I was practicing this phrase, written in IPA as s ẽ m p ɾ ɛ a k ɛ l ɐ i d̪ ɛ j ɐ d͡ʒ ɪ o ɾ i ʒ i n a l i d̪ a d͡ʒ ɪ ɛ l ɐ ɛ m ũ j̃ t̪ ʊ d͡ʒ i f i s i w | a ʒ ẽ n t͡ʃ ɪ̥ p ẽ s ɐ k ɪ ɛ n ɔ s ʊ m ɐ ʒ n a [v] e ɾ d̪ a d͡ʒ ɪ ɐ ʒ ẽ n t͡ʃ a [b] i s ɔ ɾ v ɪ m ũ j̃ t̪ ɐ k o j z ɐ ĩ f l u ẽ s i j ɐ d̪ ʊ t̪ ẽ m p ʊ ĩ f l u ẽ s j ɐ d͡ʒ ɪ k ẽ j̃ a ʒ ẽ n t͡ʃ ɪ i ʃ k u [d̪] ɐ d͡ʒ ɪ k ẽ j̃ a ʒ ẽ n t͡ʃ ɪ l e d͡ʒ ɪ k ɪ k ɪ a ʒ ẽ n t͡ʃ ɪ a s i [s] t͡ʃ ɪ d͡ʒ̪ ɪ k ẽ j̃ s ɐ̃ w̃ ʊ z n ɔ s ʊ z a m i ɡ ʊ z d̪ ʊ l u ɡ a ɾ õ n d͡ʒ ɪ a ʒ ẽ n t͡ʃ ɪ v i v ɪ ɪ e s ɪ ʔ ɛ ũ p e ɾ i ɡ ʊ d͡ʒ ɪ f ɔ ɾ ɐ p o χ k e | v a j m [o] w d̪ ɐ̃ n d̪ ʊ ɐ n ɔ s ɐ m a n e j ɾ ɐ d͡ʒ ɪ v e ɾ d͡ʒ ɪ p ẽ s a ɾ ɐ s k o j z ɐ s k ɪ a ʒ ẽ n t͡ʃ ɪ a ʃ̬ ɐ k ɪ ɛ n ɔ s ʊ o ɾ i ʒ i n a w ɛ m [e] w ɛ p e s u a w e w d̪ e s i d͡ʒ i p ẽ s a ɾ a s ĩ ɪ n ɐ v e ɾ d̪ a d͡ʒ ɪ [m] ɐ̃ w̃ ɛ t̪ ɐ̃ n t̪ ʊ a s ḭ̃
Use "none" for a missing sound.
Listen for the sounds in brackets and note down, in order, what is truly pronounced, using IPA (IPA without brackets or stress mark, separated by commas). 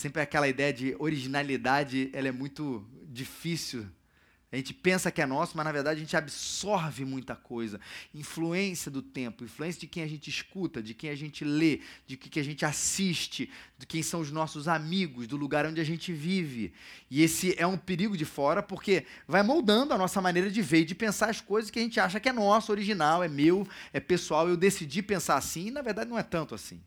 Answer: v, b, t̪, ʃ, o, e, n